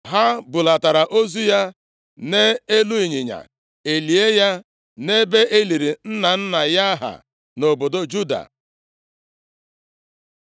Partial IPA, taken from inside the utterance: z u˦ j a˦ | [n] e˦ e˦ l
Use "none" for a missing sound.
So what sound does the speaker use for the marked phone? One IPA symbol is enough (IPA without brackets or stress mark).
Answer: n